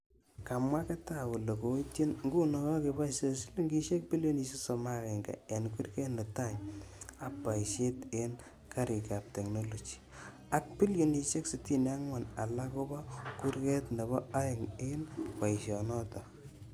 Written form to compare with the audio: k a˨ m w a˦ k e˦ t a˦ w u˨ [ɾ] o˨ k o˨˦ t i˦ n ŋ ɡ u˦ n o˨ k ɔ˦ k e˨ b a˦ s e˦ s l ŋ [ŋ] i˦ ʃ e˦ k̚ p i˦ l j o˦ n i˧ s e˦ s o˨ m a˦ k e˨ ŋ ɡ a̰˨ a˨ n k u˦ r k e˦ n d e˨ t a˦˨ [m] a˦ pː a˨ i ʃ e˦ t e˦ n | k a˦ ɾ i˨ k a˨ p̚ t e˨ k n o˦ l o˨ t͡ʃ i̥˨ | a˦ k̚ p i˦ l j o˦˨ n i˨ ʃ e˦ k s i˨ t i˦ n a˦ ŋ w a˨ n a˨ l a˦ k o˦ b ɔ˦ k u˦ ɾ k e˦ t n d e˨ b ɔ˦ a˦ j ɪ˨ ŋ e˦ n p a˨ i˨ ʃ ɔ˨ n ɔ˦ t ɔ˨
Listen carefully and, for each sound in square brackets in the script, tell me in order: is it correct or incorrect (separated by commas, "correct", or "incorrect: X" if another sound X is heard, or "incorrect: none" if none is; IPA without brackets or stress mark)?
incorrect: l, incorrect: ɡ, incorrect: ɲ